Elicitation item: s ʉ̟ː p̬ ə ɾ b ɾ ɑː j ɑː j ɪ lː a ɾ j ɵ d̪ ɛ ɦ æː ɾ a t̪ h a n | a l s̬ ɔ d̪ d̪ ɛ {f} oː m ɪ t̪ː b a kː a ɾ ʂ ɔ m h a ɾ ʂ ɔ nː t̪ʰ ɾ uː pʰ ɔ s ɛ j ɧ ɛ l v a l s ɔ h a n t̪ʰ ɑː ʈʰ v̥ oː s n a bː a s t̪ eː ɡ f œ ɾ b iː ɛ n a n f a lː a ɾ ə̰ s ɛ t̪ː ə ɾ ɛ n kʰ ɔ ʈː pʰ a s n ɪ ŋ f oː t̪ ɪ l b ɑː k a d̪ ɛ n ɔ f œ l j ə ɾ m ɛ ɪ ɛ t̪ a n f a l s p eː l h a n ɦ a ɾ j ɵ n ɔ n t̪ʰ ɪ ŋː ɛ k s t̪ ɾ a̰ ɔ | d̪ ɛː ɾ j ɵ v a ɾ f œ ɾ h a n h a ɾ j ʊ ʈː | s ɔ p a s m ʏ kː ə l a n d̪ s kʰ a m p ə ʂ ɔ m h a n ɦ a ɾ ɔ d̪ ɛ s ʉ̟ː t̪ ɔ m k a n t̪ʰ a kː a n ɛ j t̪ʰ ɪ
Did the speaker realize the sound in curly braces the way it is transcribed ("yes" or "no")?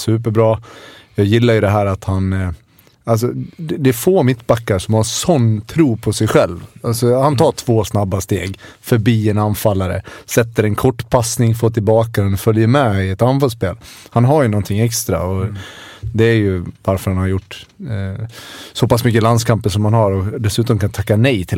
yes